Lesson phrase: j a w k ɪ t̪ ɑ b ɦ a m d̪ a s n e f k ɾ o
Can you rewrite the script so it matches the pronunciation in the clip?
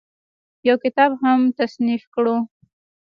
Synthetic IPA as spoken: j a w k ɪ t̪ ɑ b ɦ a m t̪ a s n i f k ɽ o